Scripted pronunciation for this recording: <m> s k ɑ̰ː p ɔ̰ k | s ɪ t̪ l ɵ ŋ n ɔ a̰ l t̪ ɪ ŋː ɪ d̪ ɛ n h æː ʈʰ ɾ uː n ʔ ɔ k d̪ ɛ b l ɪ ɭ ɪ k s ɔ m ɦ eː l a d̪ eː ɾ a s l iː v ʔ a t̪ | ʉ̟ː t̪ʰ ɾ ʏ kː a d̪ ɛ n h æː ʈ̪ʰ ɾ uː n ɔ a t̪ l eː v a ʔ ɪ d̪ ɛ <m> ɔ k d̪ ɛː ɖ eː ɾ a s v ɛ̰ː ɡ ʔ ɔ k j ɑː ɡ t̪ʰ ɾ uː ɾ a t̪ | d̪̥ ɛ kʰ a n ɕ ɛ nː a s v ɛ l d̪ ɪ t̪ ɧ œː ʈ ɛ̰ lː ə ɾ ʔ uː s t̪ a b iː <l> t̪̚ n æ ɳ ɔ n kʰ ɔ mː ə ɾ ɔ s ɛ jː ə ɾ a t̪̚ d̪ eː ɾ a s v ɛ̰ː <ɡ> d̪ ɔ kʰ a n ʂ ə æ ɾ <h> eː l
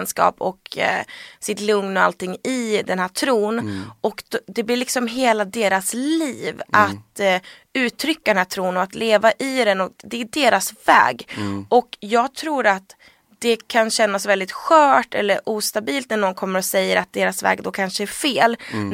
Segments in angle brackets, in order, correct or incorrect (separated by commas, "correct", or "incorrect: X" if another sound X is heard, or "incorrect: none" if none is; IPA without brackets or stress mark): incorrect: n, incorrect: n, correct, correct, incorrect: f